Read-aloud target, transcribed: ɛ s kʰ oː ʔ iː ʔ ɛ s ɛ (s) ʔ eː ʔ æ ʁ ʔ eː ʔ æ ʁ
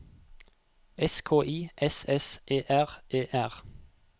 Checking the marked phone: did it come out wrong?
no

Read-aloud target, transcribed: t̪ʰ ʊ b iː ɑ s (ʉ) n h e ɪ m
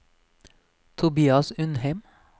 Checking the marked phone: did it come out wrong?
no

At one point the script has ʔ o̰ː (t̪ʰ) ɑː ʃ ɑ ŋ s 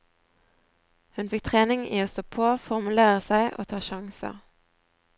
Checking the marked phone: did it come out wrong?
no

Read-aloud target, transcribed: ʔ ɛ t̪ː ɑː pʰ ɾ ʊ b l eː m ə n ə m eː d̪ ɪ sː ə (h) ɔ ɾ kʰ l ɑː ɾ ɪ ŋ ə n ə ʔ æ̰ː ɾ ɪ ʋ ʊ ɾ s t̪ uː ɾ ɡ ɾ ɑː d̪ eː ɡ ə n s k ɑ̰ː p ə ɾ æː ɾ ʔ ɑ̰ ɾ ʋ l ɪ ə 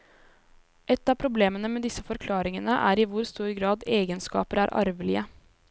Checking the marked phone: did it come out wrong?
yes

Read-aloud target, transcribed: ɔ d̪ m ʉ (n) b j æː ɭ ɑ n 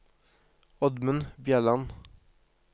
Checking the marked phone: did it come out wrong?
no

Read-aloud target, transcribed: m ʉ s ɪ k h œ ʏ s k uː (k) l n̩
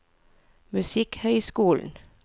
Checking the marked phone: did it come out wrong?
yes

